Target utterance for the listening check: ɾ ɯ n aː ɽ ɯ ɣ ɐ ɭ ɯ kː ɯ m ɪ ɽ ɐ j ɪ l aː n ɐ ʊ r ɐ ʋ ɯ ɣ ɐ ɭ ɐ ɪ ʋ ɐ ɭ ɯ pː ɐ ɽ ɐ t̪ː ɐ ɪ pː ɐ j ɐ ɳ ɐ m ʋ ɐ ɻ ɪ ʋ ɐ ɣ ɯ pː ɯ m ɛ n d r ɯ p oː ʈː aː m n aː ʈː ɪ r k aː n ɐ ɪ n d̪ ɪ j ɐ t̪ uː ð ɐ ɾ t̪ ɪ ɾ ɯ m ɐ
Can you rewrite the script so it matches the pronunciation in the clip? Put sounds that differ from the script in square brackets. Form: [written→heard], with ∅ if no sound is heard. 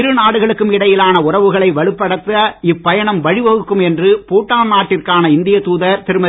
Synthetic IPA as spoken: ɾ ɯ n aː ɽ ɯ ɣ ɐ ɭ ɯ kː ɯ m ɪ ɽ ɐ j ɪ l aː n ɐ ʊ r ɐ ʋ ɯ ɣ ɐ ɭ ɐ ɪ ʋ ɐ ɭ ɯ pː ɐ ɽ ɐ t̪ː ɐ ɪ pː ɐ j ɐ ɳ ɐ m ʋ ɐ ɻ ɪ ʋ ɐ ɣ ɯ [pː→kː] ɯ m ɛ n d r ɯ p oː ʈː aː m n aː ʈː ɪ r k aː n ɐ ɪ n d̪ ɪ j ɐ t̪ uː ð ɐ ɾ t̪ ɪ ɾ ɯ m ɐ

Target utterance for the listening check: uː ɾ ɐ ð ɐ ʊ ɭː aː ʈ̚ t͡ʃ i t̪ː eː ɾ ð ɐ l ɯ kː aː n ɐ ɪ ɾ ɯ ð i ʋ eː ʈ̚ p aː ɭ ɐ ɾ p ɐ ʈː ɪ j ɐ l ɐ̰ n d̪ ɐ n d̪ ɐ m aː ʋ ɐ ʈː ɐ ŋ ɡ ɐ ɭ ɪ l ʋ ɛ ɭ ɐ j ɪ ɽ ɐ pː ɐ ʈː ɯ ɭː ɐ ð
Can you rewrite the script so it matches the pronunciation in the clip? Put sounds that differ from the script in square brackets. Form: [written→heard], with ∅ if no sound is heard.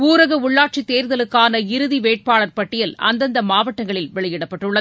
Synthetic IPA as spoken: uː ɾ ɐ [ð→ɣ] ɐ ʊ ɭː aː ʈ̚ t͡ʃ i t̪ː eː ɾ ð ɐ l ɯ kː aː n ɐ ɪ ɾ ɯ ð i ʋ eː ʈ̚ p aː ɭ ɐ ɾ p ɐ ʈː ɪ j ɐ l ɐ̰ n d̪ ɐ n d̪ ɐ m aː ʋ ɐ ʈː ɐ ŋ ɡ ɐ ɭ ɪ l ʋ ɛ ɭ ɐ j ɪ ɽ ɐ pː ɐ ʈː ɯ ɭː ɐ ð

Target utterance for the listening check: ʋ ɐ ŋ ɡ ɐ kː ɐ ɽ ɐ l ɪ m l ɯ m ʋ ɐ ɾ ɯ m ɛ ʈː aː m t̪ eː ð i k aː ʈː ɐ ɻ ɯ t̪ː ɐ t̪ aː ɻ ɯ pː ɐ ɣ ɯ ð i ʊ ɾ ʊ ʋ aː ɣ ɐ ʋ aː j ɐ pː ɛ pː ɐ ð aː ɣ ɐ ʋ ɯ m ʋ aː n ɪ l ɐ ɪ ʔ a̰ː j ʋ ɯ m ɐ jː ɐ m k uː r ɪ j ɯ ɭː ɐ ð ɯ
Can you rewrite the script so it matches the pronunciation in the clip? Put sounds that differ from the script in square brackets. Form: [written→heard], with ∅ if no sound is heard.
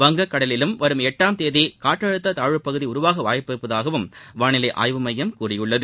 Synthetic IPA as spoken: ʋ ɐ ŋ ɡ ɐ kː ɐ ɽ ɐ l ɪ [m→∅] l ɯ m ʋ ɐ ɾ ɯ m ɛ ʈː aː m t̪ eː ð i k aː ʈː ɐ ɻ ɯ t̪ː ɐ t̪ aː ɻ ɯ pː ɐ ɣ ɯ ð i ʊ ɾ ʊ ʋ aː ɣ ɐ ʋ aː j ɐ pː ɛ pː ɐ ð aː ɣ ɐ ʋ ɯ m ʋ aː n ɪ l ɐ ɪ ʔ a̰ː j ʋ ɯ m ɐ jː ɐ m k uː r ɪ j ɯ ɭː ɐ ð ɯ

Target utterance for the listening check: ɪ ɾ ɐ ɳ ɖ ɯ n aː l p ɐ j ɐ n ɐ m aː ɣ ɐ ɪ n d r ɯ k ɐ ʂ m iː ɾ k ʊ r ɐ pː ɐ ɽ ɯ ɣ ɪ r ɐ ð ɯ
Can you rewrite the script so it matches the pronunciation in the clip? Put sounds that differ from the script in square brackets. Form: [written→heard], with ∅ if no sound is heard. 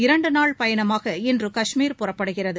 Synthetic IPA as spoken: ɪ ɾ ɐ ɳ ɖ ɯ n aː [l→ɭ] p ɐ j ɐ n ɐ m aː ɣ ɐ ɪ n d r ɯ k ɐ ʂ m iː ɾ [k→p] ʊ r ɐ pː ɐ ɽ ɯ ɣ ɪ r ɐ ð ɯ

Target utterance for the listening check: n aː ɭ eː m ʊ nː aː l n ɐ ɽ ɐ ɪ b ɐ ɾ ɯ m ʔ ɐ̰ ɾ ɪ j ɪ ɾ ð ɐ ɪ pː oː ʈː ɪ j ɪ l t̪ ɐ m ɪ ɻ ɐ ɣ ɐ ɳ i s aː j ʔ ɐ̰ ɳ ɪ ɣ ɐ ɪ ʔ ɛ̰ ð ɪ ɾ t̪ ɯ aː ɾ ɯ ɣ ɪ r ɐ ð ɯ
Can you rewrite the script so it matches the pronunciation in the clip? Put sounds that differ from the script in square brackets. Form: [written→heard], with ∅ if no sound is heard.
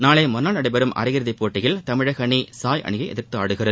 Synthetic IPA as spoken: n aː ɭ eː m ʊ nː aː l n ɐ ɽ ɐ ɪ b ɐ ɾ ɯ m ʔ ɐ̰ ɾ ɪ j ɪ ɾ ð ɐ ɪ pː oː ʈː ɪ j ɪ l t̪ ɐ m ɪ ɻ ɐ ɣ ɐ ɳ i s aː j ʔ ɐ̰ ɳ ɪ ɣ ɐ ɪ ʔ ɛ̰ ð ɪ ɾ t̪ ɯ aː [ɾ→ɽ] ɯ ɣ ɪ r ɐ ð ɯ

